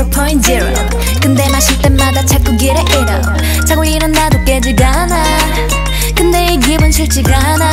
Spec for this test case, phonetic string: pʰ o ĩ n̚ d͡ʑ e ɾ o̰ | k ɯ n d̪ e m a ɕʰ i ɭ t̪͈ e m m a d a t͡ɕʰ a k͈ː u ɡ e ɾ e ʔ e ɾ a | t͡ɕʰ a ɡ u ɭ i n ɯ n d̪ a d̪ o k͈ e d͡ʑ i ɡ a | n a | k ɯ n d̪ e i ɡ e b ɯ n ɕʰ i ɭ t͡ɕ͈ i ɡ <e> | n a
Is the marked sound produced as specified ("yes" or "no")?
no